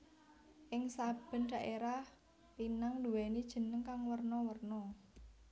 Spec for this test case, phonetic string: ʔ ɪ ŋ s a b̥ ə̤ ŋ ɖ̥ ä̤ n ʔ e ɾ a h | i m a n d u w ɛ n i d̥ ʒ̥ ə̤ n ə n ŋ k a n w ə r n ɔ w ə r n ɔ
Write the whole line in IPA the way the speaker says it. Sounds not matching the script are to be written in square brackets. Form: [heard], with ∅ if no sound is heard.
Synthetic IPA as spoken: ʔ ɪ ŋ s a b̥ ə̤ [n] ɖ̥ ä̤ [∅] ʔ e ɾ a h | i [n] a [ŋ] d u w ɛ n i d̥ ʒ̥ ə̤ n ə [∅] ŋ k a [ŋ] w ə r n ɔ w ə r n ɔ